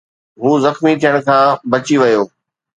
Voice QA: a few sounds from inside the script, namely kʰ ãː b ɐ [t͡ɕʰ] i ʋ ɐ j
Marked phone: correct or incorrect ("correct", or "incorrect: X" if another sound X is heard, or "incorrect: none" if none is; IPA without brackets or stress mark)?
incorrect: t͡ɕ